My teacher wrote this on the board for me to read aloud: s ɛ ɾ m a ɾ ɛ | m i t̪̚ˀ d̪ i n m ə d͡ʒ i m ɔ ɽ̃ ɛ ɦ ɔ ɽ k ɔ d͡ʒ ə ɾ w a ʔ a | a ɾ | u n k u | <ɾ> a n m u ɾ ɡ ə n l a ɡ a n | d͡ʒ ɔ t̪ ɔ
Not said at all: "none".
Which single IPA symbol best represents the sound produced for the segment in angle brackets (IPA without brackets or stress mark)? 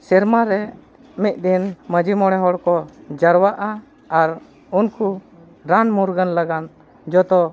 ɾ